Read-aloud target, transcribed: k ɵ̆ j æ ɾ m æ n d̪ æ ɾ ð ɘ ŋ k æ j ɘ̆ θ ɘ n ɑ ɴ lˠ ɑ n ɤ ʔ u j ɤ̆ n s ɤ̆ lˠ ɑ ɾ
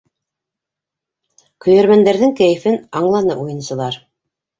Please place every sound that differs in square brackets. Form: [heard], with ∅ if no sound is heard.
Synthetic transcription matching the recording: k ɵ̆ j æ ɾ m æ n d̪ æ ɾ ð ɘ ŋ k æ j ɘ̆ [f] ɘ n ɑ ɴ lˠ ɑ n ɤ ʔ u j ɤ̆ n s ɤ̆ lˠ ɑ ɾ